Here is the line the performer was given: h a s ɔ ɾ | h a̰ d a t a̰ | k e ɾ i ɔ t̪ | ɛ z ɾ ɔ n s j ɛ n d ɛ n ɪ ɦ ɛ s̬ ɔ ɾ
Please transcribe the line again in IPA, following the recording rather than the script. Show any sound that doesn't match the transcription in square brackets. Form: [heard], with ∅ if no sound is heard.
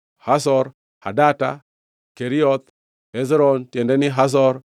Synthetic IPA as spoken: h a s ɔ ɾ | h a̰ d a t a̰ | k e ɾ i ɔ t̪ | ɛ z ɾ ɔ n [t] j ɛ n d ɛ n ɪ ɦ [a] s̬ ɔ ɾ